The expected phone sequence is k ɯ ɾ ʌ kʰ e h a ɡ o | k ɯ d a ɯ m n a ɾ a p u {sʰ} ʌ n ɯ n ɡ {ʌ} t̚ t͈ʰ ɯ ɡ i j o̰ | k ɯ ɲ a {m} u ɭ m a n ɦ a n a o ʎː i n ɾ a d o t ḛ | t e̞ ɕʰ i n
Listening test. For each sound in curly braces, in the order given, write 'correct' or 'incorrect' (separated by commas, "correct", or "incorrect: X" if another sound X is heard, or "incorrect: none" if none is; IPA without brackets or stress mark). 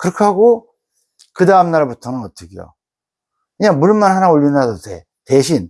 incorrect: tʰ, correct, correct